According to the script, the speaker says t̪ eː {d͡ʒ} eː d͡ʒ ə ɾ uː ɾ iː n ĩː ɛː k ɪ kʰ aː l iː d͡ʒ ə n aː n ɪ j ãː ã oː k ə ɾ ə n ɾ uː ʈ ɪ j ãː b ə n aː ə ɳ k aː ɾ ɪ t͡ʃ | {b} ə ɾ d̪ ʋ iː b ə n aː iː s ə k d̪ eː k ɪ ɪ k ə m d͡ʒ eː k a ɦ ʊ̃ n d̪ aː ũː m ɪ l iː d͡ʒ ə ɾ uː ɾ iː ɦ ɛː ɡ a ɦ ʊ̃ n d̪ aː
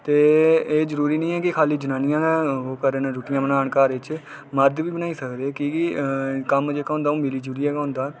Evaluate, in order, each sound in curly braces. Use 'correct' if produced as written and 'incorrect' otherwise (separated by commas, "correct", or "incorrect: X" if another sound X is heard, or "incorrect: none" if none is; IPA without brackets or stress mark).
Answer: incorrect: none, incorrect: m